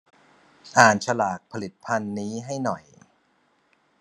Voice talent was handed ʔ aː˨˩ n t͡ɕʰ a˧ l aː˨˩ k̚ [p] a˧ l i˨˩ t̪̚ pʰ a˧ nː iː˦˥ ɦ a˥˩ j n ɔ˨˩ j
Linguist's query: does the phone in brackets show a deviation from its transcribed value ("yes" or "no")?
yes